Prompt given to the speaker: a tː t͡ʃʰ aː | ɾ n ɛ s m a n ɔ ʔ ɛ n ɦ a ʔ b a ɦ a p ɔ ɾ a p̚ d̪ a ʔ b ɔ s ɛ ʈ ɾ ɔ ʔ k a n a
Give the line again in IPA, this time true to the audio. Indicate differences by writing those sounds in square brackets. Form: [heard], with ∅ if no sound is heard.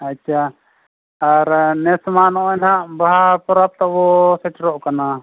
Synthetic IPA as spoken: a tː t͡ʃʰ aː | ɾ n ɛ s m a n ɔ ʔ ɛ n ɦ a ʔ b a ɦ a p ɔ ɾ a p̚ [t̪] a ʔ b ɔ s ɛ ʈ ɾ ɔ ʔ k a n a